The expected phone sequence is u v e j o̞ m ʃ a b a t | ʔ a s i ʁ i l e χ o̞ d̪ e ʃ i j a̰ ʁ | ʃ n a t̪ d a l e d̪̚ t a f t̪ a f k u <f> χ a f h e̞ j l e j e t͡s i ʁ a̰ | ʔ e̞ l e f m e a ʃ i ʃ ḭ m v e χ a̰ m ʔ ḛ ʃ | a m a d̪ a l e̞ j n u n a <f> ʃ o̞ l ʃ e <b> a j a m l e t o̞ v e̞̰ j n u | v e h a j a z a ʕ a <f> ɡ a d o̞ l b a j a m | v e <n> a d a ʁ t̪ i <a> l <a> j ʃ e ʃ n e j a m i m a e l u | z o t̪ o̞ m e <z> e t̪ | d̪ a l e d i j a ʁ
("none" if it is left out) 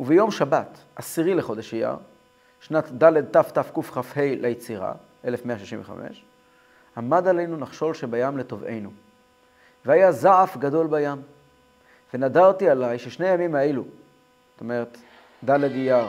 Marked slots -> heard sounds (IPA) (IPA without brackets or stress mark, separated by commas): f, χ, b, f, n, a, a, ʁ